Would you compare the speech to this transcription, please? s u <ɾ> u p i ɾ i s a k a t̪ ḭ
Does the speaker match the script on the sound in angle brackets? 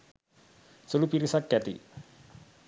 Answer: no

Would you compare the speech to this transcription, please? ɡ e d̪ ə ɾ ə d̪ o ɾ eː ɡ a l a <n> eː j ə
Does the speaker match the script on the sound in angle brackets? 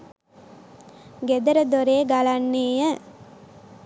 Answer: no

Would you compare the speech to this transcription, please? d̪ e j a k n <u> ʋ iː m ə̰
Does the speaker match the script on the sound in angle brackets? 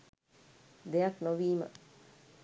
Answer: no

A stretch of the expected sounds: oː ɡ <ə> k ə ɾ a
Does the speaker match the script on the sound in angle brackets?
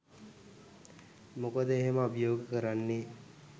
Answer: yes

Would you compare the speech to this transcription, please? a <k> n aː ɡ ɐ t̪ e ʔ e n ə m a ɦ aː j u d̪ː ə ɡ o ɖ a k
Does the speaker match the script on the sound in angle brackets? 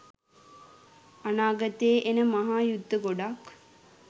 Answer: no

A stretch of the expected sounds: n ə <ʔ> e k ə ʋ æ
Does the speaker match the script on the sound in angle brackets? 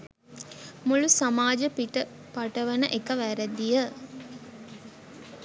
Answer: yes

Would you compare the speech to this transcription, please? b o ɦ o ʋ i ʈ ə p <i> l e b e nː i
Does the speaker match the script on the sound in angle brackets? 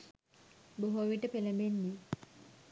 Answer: no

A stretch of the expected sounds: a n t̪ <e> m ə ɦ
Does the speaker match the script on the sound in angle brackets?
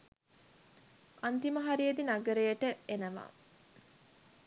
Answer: no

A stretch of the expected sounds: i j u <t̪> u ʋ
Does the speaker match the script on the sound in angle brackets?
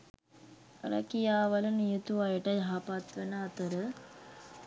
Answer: yes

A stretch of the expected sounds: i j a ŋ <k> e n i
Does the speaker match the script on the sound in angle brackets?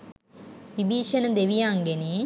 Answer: no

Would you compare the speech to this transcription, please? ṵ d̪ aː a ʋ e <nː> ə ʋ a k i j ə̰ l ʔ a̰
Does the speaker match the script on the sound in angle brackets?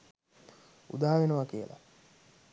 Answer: no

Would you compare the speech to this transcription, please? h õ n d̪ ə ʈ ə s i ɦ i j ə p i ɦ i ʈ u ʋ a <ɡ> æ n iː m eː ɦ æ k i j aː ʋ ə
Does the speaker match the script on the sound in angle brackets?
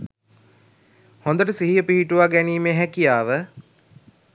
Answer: yes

